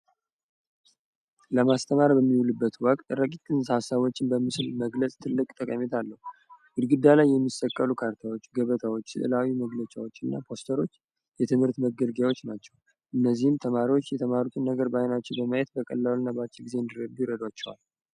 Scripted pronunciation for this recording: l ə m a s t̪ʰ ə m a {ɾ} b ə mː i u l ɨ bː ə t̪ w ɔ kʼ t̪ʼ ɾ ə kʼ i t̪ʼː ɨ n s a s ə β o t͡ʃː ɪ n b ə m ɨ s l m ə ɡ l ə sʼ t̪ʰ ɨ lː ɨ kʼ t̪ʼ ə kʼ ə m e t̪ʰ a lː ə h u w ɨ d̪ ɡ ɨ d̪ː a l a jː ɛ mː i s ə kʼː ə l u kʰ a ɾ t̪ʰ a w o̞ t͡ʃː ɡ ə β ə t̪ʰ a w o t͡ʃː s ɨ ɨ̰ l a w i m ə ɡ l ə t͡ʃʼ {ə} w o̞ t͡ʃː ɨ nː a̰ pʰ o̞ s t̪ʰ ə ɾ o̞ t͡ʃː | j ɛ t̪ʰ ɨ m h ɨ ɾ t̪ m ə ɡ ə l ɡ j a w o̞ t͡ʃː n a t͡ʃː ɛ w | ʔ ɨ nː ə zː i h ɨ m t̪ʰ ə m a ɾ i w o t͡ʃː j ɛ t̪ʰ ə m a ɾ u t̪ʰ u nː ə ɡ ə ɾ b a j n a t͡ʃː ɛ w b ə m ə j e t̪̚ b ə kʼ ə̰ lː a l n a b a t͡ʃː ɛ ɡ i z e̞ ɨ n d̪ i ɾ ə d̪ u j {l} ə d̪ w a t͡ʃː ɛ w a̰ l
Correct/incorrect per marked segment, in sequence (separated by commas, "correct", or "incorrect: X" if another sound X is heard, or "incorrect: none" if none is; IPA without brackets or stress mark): correct, incorrect: a, incorrect: ɾ